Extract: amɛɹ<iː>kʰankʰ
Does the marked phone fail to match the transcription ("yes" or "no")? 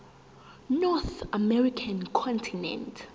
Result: yes